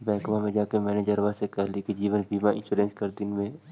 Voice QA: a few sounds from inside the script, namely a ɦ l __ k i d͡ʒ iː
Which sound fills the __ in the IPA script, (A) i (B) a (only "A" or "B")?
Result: A